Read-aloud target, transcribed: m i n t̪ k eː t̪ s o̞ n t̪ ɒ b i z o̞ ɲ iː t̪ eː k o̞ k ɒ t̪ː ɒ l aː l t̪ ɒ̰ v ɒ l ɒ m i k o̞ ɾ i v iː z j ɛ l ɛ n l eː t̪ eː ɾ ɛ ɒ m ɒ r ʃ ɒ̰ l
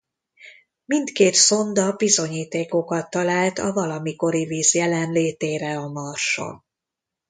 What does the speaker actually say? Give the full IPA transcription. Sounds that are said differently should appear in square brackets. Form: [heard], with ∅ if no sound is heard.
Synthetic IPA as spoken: m i n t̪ k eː t̪ s o̞ n [d̪] ɒ b i z o̞ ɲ iː t̪ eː k o̞ k ɒ t̪ː ɒ l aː l t̪ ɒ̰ v ɒ l ɒ m i k o̞ ɾ i v iː z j ɛ l ɛ n l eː t̪ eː ɾ ɛ ɒ m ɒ r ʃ [o̰] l